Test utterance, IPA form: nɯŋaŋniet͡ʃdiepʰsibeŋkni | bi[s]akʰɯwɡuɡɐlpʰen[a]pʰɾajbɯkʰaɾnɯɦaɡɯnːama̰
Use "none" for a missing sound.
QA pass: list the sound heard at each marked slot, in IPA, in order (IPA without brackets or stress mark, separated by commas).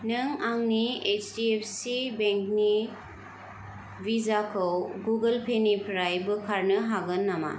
z, i